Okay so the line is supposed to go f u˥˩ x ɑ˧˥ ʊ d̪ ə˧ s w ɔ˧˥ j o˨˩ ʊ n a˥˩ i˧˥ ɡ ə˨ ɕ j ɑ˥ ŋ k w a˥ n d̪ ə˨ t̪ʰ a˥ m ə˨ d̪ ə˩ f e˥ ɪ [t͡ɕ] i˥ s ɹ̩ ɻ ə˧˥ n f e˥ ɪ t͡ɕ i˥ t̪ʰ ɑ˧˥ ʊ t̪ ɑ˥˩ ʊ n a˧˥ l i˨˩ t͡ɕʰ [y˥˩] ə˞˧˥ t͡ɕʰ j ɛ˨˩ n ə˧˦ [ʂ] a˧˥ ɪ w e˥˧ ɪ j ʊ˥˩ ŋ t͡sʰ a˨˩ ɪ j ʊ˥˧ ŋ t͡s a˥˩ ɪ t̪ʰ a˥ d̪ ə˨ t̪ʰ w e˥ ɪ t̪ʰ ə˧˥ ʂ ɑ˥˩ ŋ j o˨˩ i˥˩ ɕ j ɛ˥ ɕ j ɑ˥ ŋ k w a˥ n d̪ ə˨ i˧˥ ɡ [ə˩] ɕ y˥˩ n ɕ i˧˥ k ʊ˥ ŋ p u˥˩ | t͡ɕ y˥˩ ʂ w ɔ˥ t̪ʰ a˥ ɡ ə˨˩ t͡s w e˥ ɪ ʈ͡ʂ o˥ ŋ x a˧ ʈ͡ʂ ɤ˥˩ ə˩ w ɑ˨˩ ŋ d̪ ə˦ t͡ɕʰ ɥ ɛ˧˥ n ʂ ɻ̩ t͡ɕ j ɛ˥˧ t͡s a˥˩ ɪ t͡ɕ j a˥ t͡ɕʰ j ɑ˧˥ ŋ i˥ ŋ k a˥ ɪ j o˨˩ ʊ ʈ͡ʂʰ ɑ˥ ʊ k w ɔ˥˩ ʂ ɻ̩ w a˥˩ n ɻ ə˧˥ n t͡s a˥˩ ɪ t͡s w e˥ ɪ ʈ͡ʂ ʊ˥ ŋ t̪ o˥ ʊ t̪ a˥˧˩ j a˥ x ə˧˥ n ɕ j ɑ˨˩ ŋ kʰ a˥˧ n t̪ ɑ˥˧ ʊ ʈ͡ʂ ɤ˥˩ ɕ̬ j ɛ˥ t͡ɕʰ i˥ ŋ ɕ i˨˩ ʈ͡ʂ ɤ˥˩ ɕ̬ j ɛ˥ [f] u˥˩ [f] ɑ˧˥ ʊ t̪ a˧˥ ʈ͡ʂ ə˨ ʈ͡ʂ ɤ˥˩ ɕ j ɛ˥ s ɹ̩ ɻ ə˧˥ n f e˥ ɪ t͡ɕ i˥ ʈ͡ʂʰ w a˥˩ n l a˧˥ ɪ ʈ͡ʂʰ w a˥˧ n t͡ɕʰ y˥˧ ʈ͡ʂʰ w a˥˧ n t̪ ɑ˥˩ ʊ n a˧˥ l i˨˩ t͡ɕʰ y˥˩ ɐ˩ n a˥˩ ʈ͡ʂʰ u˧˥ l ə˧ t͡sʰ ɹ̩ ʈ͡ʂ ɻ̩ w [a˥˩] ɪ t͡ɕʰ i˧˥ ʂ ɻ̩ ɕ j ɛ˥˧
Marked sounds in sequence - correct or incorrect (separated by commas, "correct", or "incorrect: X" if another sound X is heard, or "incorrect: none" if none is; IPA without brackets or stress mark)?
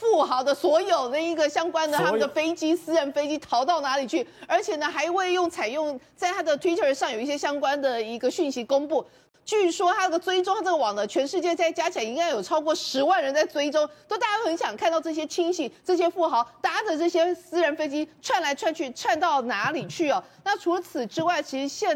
correct, correct, incorrect: x, incorrect: ə˧, correct, incorrect: x, correct